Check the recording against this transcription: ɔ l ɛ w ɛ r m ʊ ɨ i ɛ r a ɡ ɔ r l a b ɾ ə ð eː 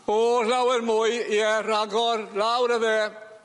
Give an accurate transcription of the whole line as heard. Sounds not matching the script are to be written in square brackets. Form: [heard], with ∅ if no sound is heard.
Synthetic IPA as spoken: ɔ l [a] w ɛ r m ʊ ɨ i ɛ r a ɡ ɔ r l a [w] ɾ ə ð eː